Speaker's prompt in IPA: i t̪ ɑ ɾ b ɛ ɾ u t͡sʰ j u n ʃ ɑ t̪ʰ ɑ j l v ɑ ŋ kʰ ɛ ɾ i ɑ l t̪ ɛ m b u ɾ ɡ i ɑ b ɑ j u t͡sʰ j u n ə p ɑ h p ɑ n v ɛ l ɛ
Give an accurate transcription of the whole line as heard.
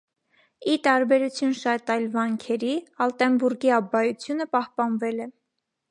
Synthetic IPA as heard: i t̪ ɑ ɾ b ɛ ɾ u t͡sʰ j u n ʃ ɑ t̪ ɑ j l v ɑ ŋ kʰ ɛ ɾ i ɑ l t̪ ɛ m b u ɾ ɡ i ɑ b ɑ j u t͡sʰ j u n ə p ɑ h p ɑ n v ɛ l ɛ